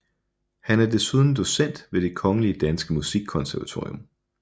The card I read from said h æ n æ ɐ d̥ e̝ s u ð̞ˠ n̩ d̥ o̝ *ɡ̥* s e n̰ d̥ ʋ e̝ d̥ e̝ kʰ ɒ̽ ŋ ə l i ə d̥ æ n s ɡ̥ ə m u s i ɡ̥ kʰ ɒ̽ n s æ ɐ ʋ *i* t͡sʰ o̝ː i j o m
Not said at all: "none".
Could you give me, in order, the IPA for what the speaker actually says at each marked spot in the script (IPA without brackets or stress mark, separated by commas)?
none, æ